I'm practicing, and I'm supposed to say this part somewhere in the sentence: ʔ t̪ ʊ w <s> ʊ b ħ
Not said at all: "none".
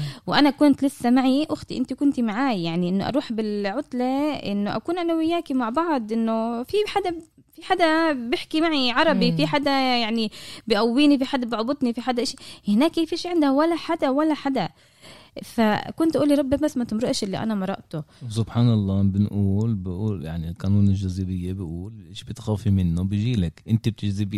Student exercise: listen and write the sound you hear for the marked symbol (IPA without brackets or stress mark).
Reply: s